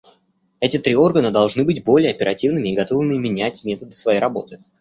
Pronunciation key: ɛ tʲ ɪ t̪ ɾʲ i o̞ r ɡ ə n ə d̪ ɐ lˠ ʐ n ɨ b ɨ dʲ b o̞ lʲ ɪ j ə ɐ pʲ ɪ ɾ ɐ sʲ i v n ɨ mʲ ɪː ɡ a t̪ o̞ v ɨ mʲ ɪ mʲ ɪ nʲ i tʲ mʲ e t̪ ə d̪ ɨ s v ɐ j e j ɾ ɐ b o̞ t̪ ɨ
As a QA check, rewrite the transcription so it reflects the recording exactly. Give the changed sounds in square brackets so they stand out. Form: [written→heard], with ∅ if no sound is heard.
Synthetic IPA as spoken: ɛ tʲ ɪ t̪ ɾʲ i o̞ r ɡ ə n ə d̪ ɐ lˠ ʐ n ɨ b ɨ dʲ b o̞ lʲ ɪ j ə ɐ pʲ ɪ ɾ ɐ [sʲ→tʲ] i v n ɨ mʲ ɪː ɡ [a→ɐ] t̪ o̞ v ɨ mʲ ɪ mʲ ɪ nʲ [i→æ] tʲ mʲ e t̪ ə d̪ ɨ s v ɐ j e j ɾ ɐ b o̞ t̪ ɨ